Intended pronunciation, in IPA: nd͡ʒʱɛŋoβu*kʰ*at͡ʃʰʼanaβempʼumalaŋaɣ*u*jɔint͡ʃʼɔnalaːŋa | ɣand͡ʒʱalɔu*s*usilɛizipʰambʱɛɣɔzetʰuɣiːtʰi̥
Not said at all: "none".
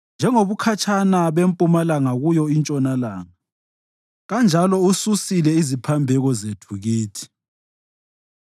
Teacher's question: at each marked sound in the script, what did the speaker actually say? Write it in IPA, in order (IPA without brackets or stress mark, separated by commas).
kʰ, u, s